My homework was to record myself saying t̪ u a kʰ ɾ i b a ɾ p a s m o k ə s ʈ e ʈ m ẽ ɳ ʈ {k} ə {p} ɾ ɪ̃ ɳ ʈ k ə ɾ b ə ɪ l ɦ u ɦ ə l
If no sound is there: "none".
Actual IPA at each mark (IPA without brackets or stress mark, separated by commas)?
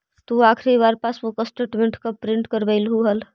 k, p